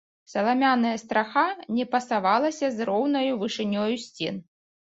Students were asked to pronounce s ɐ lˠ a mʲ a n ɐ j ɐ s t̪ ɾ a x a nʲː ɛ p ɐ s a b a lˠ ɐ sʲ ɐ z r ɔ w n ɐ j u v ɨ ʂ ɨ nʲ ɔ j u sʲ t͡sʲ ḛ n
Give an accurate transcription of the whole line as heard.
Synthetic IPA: s ɐ lˠ a mʲ a n ɐ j ɐ s t̪ ɾ a x a nʲ ɛ p ɐ s a v a lˠ ɐ sʲ ɐ z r ɔ w n ɐ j u v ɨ ʂ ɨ nʲ ɔ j u sʲ t͡sʲ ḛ n